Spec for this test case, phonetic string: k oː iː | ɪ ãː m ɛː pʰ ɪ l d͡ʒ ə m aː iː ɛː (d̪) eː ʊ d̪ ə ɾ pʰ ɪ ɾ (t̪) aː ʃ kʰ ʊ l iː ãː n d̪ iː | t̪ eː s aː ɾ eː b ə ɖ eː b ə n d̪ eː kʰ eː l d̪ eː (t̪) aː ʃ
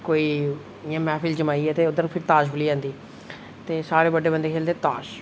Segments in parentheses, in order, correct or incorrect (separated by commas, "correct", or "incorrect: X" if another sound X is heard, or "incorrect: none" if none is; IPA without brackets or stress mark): incorrect: t̪, correct, correct